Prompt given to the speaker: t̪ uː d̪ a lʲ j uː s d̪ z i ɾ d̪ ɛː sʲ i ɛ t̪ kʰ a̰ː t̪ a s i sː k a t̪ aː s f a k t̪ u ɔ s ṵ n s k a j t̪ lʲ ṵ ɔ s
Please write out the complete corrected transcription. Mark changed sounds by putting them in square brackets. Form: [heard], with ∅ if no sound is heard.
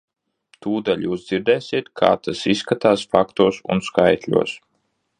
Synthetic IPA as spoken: t̪ uː d̪ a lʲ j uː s d̪ z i ɾ d̪ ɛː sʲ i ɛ t̪ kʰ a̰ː t̪ a s i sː k a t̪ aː s f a k t̪ u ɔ s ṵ n s k a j t̪ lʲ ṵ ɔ s